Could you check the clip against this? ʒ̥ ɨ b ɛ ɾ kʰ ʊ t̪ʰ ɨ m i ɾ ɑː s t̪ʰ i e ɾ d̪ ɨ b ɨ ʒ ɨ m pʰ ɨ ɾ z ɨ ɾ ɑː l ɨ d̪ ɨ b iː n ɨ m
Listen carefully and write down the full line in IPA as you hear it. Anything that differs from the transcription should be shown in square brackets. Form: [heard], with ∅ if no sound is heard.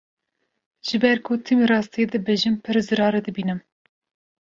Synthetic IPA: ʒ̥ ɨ b ɛ ɾ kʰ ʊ t̪ʰ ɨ m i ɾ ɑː s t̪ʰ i e [∅] d̪ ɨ b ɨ ʒ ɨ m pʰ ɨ ɾ z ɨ ɾ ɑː [ɾ] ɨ d̪ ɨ b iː n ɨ m